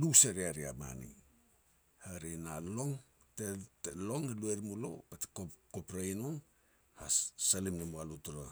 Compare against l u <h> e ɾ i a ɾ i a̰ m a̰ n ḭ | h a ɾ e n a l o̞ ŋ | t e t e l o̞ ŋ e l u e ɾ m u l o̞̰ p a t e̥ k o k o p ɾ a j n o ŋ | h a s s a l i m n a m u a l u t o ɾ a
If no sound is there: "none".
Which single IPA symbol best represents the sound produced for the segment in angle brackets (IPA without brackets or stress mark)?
s